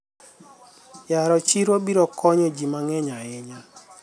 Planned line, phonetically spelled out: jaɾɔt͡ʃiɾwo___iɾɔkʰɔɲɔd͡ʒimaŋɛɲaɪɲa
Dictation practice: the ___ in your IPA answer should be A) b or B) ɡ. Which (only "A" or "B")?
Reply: A